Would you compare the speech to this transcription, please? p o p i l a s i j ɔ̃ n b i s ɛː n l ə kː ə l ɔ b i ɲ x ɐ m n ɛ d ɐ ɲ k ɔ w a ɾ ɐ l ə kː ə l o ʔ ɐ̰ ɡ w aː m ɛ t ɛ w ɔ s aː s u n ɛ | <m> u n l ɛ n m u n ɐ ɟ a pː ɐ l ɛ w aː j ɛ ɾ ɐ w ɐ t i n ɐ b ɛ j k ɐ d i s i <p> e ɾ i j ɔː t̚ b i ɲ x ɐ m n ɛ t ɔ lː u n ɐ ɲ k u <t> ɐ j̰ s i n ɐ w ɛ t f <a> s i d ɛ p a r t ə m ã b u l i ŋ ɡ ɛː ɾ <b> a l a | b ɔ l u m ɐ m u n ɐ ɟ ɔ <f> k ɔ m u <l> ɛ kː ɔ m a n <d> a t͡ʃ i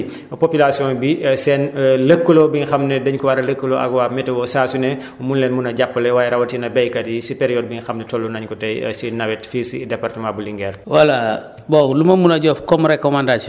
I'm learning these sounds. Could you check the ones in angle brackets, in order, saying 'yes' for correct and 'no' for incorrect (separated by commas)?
yes, yes, yes, no, no, yes, no, yes